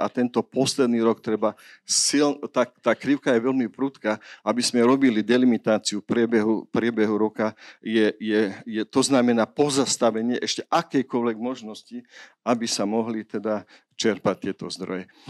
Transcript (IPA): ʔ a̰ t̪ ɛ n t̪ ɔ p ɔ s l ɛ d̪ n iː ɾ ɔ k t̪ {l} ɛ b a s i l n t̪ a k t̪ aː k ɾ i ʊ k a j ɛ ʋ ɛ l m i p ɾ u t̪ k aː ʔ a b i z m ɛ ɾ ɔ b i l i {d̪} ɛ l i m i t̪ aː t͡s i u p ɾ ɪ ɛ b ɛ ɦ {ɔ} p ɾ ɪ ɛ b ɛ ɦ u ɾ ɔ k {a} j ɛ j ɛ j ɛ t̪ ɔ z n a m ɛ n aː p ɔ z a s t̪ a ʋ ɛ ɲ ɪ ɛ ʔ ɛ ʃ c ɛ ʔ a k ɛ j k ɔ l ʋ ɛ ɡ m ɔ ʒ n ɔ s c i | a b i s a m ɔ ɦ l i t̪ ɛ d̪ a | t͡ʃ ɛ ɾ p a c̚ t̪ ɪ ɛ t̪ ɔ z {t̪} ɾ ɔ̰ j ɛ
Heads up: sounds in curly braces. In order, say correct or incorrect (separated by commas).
incorrect, correct, incorrect, correct, incorrect